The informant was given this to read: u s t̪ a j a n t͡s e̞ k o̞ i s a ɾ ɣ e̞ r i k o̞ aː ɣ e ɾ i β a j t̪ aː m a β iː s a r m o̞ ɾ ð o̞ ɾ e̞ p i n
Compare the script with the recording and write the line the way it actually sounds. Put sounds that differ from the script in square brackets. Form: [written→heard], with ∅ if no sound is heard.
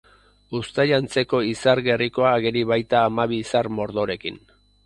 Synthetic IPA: u s t̪ a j a n t͡s e̞ k o̞ i s a ɾ ɣ e̞ r i k o̞ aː ɣ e ɾ i β a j t̪ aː m a β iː s a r m o̞ ɾ ð o̞ ɾ e̞ [p→k] i n